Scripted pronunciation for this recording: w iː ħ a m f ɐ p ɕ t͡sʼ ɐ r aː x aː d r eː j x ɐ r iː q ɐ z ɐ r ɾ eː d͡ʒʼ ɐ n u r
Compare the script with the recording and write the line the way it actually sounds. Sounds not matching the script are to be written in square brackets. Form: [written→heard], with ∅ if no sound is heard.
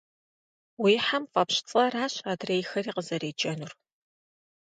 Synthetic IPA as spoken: w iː ħ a m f ɐ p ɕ t͡sʼ ɐ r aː [x→ɕ] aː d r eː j x ɐ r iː q [ɐ→ə] z ɐ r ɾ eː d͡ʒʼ ɐ n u r